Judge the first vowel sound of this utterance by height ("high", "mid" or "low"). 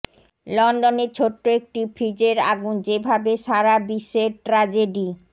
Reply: mid